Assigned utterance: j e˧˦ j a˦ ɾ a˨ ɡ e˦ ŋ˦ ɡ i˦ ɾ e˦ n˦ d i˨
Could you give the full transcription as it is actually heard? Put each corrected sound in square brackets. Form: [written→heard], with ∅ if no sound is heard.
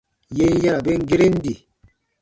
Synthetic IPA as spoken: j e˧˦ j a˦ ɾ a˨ [ɡ→b] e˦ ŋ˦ ɡ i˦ ɾ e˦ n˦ d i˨